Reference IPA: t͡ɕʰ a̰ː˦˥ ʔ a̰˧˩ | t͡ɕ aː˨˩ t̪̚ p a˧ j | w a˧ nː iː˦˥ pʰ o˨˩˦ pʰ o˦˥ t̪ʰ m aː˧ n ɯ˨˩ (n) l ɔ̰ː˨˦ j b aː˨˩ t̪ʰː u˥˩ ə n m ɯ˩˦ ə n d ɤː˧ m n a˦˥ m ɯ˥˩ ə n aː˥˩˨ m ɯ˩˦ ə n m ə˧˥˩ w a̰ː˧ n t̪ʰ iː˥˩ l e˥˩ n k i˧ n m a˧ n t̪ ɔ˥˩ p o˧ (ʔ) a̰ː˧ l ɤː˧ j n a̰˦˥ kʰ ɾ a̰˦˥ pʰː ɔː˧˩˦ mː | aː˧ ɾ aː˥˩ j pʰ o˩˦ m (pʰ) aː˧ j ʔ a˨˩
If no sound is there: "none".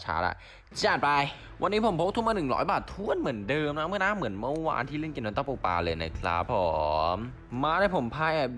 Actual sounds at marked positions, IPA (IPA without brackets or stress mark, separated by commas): ŋ, p, pʰ